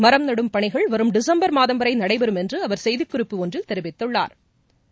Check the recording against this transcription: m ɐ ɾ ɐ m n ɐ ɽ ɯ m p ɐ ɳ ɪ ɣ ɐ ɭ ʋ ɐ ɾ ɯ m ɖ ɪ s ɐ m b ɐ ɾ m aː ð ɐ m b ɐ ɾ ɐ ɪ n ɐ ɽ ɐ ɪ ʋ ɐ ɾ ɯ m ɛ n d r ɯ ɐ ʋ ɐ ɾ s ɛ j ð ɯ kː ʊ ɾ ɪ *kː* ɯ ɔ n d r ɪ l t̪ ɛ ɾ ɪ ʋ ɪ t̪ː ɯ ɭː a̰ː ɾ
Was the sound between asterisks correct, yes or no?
no